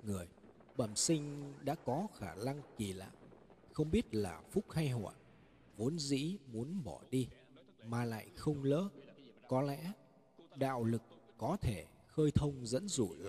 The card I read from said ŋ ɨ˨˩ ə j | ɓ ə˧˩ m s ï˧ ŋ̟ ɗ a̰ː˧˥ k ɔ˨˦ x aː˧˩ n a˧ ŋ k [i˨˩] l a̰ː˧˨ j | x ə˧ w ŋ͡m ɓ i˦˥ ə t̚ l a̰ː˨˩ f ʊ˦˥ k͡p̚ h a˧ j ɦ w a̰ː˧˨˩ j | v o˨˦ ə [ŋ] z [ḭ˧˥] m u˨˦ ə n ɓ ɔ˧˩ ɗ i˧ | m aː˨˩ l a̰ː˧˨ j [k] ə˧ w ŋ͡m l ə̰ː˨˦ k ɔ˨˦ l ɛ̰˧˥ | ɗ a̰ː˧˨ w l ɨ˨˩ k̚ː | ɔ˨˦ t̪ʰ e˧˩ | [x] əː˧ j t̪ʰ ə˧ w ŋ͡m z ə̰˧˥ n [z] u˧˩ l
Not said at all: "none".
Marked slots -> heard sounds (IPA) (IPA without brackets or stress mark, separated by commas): i˨˩, n, ḭ˧˥, x, x, z